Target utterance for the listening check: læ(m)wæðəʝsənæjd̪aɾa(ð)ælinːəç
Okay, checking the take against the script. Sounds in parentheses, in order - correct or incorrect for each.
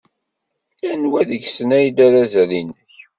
incorrect, incorrect

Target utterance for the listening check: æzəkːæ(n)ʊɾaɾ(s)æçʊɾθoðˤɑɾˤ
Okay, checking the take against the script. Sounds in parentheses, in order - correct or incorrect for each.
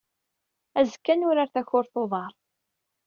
correct, incorrect

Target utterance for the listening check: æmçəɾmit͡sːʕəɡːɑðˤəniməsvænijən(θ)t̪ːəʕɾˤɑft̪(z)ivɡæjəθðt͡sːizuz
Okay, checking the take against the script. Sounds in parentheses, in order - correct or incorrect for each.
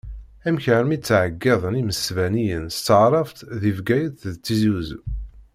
incorrect, incorrect

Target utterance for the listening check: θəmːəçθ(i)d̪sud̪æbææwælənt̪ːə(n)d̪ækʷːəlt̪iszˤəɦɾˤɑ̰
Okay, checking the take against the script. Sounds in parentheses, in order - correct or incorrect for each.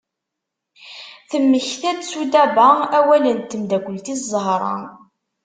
incorrect, incorrect

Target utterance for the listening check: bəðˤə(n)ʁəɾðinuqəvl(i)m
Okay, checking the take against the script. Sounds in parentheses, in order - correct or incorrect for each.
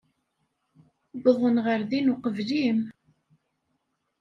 correct, correct

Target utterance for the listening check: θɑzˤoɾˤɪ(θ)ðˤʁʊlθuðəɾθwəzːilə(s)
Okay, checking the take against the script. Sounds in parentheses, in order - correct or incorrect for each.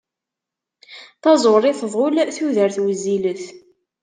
correct, incorrect

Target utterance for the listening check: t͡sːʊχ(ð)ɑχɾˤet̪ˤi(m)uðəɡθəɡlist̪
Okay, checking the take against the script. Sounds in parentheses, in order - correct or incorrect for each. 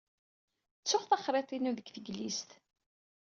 incorrect, incorrect

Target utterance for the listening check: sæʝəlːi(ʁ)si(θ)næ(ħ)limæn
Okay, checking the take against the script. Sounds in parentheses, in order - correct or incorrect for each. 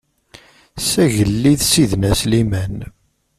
incorrect, incorrect, incorrect

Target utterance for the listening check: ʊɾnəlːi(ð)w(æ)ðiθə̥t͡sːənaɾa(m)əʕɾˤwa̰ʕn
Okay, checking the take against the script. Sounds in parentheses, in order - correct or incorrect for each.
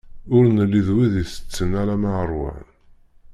correct, incorrect, correct

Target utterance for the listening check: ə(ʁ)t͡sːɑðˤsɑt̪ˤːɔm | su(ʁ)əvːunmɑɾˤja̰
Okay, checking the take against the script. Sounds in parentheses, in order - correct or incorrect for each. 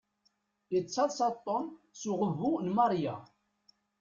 incorrect, correct

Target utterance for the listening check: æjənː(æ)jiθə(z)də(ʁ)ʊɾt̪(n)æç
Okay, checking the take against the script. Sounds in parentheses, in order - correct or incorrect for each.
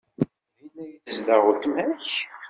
correct, correct, correct, incorrect

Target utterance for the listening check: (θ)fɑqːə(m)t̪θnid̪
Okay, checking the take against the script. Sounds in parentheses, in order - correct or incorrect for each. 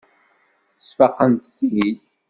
incorrect, incorrect

